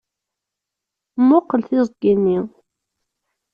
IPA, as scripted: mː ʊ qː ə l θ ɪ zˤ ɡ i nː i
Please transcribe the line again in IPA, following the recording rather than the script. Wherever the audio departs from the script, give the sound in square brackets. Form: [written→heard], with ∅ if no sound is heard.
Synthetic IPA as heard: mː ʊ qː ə l θ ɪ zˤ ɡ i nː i